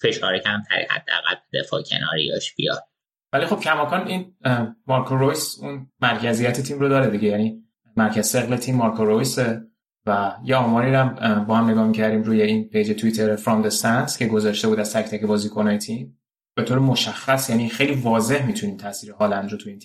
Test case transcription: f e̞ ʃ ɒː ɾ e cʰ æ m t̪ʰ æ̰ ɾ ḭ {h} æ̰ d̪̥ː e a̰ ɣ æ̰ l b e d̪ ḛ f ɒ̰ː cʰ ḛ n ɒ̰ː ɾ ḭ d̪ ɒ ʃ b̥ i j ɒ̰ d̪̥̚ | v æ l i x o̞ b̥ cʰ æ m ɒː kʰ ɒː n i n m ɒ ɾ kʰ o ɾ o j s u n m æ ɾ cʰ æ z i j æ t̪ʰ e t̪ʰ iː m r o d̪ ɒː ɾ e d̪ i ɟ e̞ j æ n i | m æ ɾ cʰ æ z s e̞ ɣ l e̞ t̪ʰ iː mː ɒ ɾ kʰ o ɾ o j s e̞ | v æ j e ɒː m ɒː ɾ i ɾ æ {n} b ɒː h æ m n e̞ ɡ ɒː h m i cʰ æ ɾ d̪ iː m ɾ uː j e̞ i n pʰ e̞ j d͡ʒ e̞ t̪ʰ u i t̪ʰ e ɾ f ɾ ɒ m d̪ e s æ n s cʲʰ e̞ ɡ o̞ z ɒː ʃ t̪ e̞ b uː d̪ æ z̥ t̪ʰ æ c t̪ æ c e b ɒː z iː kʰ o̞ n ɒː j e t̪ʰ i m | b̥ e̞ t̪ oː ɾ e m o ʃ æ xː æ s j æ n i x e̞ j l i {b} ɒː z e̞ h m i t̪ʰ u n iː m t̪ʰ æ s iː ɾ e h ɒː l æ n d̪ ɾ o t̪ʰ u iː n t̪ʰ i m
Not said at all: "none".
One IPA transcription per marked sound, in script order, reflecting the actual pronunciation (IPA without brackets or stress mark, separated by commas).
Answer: h, m, v